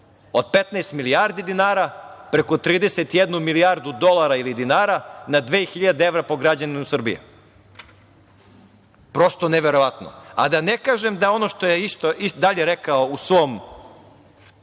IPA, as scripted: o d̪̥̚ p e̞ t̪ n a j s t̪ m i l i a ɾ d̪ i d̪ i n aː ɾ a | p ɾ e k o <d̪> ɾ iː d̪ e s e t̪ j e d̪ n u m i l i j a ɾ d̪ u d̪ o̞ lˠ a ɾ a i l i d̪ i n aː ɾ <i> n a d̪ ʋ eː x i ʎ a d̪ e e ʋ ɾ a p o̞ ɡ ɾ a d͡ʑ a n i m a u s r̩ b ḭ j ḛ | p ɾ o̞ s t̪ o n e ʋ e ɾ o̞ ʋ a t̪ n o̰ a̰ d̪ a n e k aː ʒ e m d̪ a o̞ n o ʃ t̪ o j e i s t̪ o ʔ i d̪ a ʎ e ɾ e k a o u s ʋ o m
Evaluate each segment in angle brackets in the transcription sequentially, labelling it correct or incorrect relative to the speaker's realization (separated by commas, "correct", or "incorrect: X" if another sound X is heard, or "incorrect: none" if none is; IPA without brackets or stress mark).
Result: incorrect: t̪, incorrect: a